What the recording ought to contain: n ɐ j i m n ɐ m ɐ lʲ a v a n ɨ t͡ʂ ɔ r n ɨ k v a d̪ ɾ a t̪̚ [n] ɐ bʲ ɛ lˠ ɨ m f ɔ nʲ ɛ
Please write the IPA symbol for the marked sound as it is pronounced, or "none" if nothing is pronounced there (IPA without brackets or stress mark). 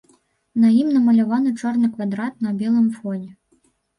n